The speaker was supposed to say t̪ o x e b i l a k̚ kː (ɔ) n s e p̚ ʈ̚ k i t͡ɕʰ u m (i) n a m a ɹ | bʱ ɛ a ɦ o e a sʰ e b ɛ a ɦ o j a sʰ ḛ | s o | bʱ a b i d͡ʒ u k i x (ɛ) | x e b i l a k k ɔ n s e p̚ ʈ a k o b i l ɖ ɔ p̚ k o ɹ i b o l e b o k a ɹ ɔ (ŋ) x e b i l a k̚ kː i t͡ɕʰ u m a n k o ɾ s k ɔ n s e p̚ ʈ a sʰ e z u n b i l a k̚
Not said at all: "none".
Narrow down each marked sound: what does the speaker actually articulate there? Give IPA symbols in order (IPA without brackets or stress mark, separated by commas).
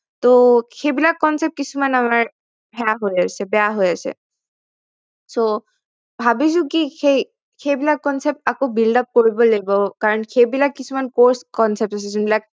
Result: ɔ, a, e, n